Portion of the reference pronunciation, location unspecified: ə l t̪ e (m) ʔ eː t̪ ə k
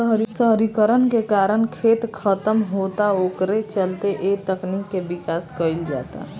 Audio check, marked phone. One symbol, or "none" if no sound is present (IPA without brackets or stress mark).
none